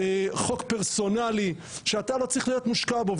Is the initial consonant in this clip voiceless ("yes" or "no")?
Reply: yes